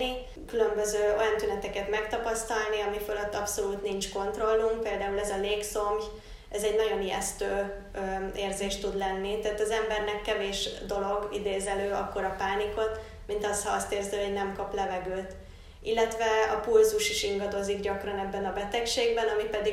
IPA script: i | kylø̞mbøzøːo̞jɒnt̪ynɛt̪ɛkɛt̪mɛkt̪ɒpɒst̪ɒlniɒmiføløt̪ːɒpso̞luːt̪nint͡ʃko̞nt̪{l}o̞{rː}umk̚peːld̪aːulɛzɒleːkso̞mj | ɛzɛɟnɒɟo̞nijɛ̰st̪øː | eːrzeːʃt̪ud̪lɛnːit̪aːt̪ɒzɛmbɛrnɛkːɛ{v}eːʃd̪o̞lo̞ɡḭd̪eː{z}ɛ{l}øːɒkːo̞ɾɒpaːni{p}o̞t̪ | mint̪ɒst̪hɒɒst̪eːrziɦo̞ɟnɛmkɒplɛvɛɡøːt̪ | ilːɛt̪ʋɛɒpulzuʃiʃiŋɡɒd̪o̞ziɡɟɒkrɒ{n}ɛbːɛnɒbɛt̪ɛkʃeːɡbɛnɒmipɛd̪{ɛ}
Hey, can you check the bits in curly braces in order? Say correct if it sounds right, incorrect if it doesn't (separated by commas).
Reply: incorrect, incorrect, correct, correct, correct, incorrect, correct, incorrect